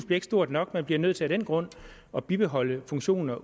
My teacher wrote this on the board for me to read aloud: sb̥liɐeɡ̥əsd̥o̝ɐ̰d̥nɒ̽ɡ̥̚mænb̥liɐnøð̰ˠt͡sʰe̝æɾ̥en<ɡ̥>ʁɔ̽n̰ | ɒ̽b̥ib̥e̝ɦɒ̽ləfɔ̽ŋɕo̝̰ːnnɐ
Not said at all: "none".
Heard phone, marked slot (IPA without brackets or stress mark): ɡ̥